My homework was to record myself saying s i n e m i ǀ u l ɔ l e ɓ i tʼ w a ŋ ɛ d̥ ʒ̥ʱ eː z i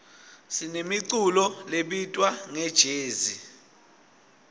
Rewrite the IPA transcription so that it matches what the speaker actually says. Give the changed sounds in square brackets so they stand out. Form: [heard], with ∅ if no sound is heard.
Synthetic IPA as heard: s i n e m i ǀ u l ɔ l e ɓ i tʼ w a ŋ ɛ d̥ ʒ̥ʱ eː z i